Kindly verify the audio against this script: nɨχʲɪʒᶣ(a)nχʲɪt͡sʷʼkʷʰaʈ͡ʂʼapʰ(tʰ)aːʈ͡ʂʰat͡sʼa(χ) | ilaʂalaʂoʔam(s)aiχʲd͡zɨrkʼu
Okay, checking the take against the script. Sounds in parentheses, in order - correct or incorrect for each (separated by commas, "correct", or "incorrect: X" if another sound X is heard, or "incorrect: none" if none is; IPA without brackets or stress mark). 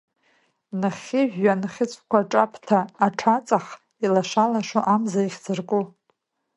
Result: correct, correct, correct, incorrect: z